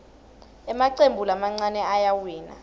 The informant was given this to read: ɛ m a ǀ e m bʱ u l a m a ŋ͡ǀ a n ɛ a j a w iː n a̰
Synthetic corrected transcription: ɛ m a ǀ e m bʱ u l a m a ŋ͡ǀ a n ɛ a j a w iː n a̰